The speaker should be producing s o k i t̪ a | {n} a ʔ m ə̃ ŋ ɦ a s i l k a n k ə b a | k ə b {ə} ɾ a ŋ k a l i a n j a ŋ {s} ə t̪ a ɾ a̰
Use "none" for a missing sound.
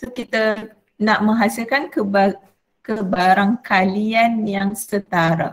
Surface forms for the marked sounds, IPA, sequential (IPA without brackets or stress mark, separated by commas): n, a, s